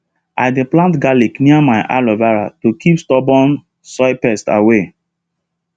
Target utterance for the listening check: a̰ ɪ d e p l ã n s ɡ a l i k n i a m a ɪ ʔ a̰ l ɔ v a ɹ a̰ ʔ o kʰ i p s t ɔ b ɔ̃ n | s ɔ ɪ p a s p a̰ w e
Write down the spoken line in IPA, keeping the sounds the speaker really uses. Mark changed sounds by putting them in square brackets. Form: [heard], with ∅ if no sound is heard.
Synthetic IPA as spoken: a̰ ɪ d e p l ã n [t] ɡ a l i k n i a m a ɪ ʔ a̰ l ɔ v a ɹ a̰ [t] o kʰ i p s t ɔ b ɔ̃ n | s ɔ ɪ p [ɛ] s [t] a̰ w e